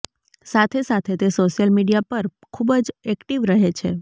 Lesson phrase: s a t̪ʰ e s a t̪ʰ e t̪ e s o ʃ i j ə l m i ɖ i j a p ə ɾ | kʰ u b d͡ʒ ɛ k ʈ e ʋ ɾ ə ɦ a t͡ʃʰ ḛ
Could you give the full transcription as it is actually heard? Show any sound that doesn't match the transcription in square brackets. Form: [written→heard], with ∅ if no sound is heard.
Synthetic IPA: s a t̪ʰ e s a t̪ʰ e t̪ e s o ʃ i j ə l m i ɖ i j a p ə ɾ | kʰ u b d͡ʒ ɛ k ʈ [e→i] ʋ ɾ ə ɦ [a→e] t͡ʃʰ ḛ